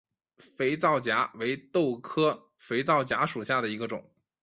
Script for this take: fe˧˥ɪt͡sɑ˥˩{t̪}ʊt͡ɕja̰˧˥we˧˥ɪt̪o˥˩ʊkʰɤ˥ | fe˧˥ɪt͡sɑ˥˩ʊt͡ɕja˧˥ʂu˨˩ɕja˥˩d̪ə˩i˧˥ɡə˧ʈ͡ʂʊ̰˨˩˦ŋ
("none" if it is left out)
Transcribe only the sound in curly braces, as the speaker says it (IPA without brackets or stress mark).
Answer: none